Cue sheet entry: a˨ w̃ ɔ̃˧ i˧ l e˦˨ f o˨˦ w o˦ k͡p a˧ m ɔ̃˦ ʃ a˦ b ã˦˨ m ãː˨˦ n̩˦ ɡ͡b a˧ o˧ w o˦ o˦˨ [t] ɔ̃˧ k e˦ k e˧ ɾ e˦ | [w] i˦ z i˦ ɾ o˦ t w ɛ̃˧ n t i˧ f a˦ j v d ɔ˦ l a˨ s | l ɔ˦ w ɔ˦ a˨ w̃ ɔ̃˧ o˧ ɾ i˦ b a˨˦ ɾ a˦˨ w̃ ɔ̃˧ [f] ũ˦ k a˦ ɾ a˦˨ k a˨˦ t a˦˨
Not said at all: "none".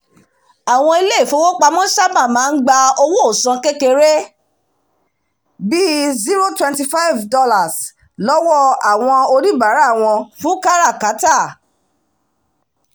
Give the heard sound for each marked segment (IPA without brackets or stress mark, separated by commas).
s, b, f